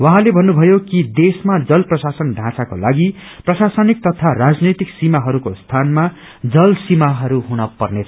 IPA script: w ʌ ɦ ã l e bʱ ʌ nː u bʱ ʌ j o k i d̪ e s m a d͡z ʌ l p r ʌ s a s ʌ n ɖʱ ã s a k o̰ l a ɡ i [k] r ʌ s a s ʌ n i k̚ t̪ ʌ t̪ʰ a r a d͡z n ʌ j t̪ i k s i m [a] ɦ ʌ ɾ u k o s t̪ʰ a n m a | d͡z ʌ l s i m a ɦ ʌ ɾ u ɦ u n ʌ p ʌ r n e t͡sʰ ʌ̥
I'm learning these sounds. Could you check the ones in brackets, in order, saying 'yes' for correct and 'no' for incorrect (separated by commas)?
no, yes